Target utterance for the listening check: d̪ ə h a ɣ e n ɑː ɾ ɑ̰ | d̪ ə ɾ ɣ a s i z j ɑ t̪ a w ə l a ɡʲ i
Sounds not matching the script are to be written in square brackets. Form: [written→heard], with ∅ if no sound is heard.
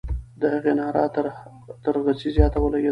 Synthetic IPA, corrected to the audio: d̪ ə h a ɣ e n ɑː ɾ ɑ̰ | [d̪→t̪] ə ɾ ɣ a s i z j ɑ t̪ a w ə l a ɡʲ [i→e]